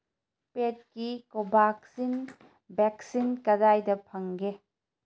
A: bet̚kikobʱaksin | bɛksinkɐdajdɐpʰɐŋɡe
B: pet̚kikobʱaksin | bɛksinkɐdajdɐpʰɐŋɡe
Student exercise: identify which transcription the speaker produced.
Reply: B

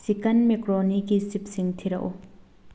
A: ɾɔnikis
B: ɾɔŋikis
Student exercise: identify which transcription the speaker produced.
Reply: A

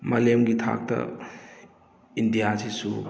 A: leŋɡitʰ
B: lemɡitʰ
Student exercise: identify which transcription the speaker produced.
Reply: B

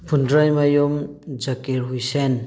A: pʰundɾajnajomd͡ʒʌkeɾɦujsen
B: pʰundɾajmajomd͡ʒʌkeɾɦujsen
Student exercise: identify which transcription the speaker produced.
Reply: B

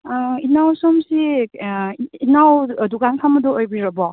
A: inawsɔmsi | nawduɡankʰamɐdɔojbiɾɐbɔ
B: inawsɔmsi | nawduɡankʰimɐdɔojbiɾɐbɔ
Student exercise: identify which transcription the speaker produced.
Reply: A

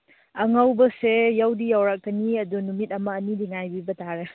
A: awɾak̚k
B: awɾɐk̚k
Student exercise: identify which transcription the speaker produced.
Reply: A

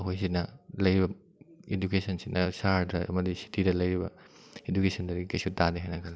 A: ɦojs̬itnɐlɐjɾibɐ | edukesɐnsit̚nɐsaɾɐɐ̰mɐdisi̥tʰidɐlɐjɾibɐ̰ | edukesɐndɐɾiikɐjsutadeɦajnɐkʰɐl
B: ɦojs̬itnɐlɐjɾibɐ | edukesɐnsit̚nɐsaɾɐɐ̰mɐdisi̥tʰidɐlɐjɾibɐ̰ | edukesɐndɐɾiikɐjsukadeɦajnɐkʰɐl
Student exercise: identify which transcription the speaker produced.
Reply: A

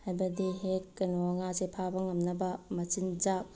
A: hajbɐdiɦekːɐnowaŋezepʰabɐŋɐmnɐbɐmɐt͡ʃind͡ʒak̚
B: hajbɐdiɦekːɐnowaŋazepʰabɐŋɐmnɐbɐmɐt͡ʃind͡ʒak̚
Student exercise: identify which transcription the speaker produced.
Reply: B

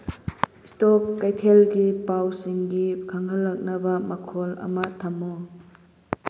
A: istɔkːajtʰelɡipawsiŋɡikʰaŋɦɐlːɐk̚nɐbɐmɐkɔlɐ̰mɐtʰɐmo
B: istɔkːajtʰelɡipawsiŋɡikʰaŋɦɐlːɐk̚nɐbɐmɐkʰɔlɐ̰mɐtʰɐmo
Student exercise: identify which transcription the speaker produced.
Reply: B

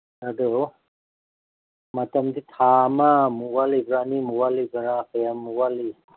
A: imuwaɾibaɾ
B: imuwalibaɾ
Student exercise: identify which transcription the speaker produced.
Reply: B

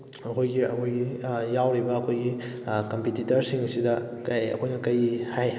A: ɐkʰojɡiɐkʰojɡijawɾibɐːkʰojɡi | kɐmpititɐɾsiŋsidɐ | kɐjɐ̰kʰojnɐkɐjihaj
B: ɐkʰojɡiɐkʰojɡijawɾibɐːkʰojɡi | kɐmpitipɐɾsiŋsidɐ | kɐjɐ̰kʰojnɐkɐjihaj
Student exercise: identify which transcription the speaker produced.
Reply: A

